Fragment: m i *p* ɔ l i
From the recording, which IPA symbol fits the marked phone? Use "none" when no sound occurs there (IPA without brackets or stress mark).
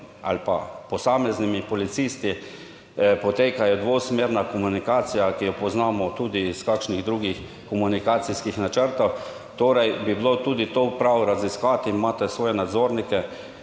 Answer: p